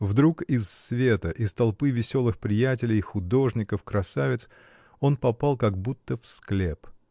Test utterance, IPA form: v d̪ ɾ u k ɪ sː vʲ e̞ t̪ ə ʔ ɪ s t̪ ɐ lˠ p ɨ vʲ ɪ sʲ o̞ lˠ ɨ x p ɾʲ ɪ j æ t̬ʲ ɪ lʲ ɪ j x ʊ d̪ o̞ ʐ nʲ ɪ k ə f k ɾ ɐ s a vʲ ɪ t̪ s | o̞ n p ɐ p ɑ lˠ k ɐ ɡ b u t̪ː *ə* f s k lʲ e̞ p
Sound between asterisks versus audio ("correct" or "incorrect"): correct